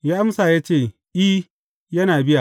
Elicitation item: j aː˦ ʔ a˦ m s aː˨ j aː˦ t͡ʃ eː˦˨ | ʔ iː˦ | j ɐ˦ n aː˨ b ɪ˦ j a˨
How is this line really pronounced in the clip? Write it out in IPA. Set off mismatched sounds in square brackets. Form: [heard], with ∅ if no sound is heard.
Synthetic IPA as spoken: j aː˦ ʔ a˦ m s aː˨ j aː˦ t͡ʃ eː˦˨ | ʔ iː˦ | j ɐ˦ n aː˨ b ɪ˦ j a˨

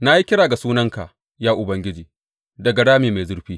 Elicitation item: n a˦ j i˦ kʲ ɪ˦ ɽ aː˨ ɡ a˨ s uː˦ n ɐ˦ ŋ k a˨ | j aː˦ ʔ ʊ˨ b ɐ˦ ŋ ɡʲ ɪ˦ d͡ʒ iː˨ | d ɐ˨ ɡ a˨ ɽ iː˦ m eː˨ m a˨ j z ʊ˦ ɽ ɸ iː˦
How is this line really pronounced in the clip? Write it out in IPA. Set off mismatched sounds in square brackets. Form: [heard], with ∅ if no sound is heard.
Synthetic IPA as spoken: n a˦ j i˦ kʲ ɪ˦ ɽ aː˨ ɡ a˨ s uː˦ n ɐ˦ ŋ k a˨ | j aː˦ ʔ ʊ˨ b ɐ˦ ŋ ɡʲ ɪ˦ d͡ʒ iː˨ | d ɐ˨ ɡ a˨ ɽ [aː˦] m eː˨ m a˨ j z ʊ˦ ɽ ɸ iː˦

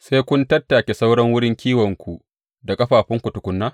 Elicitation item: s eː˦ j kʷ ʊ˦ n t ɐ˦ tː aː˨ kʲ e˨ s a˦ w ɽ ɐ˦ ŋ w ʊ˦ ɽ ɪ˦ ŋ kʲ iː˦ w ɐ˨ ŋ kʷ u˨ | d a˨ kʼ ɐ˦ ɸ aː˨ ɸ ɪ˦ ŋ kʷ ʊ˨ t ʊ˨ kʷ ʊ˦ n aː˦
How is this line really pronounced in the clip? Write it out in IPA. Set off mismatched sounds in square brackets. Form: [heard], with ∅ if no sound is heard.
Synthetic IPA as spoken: s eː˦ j kʷ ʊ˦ n t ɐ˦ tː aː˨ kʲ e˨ s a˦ w ɽ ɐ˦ ŋ w ʊ˦ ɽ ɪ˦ ŋ kʲ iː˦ w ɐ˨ ŋ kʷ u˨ | d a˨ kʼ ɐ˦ ɸ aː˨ ɸ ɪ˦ ŋ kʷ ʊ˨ t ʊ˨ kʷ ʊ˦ [nː] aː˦

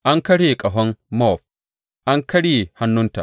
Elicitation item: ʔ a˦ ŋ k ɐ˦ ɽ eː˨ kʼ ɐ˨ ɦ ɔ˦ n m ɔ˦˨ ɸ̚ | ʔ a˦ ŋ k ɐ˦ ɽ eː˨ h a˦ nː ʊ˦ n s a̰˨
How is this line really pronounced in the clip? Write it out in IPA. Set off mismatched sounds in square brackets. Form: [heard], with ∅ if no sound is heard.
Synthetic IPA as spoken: ʔ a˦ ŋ k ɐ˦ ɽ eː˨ kʼ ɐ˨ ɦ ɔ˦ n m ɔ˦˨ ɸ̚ | ʔ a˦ ŋ k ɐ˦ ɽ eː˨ h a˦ nː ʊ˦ n [t] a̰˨

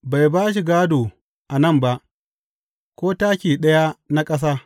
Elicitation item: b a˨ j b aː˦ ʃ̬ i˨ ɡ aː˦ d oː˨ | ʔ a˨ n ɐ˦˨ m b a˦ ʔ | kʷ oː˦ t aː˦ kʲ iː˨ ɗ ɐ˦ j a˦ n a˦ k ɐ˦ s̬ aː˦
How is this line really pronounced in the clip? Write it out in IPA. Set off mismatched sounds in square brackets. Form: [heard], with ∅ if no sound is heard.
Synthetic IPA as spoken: b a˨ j b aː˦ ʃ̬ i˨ ɡ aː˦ d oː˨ | ʔ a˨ n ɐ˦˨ m b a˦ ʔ | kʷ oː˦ t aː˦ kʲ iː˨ ɗ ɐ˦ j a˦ n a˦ [kʼ] ɐ˦ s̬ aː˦

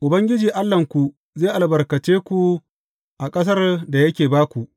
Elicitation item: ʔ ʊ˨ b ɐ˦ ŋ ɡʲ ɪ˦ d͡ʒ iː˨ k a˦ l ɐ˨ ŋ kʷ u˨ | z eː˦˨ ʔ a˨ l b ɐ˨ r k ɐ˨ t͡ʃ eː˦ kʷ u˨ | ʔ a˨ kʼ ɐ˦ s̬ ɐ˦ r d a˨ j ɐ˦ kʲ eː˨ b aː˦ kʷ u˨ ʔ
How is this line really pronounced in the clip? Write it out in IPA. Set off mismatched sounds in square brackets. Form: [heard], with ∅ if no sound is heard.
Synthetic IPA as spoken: ʔ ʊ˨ b ɐ˦ ŋ ɡʲ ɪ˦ d͡ʒ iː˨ [ʔ] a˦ [lː] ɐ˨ ŋ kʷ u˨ | z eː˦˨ ʔ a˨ l b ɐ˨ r k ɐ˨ t͡ʃ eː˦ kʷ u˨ | ʔ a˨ kʼ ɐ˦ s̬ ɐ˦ r d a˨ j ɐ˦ kʲ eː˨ b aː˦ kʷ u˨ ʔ

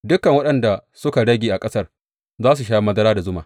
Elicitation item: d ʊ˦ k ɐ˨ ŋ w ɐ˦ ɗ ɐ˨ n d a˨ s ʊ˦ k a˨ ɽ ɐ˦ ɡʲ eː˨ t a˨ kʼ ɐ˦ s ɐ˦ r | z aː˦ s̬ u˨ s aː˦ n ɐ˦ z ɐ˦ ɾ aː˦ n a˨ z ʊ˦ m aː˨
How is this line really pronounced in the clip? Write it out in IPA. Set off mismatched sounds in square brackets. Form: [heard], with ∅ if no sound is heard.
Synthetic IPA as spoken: d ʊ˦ k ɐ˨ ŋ w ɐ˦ ɗ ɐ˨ n d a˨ s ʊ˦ k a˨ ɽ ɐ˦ ɡʲ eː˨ [ʔ] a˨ kʼ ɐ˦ s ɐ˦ r | z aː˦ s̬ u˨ [ʃ] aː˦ [m] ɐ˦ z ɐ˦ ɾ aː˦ [d] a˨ z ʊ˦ m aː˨

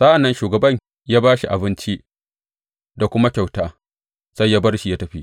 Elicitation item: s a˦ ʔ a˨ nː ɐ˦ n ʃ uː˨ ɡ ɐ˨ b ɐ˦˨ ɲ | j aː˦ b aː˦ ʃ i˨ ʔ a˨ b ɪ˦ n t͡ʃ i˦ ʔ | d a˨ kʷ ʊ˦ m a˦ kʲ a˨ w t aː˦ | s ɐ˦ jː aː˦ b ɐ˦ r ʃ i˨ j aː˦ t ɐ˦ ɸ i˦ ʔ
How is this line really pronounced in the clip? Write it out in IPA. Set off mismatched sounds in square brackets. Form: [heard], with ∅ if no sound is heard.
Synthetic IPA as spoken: s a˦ ʔ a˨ nː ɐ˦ n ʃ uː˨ ɡ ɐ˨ b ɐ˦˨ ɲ | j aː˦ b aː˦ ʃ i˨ ʔ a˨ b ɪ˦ n t͡ʃ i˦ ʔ | d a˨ kʷ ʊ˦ m a˦ kʲ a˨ w t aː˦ | s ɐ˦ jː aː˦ b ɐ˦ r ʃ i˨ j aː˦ t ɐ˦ ɸ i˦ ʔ

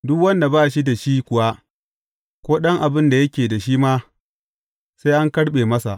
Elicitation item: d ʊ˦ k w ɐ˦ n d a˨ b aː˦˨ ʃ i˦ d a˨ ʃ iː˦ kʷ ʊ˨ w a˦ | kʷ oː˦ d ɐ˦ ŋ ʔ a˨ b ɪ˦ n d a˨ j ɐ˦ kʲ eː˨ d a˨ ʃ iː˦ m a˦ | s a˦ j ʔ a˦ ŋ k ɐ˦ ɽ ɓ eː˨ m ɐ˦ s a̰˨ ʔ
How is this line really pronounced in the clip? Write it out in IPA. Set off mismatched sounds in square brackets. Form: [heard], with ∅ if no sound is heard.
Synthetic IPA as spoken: d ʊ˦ k w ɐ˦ n d a˨ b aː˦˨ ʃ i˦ d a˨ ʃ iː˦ kʷ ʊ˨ w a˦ | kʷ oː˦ [ɗ] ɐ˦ ŋ ʔ a˨ b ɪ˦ n d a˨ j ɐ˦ kʲ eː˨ d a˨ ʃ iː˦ m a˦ | s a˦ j ʔ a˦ ŋ k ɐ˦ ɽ ɓ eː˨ m ɐ˦ s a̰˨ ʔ

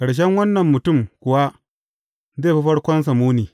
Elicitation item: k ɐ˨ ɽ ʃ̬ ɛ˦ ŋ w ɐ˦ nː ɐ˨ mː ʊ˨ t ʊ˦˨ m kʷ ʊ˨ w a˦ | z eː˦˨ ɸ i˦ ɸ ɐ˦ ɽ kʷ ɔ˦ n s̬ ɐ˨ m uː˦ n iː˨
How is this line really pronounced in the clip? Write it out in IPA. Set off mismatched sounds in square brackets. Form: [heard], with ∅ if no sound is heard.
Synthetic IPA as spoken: k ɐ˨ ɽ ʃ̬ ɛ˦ ŋ w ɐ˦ nː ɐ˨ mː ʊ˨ t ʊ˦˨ m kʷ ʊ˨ w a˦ | z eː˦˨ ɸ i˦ ɸ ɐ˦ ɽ kʷ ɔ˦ n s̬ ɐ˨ m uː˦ n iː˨

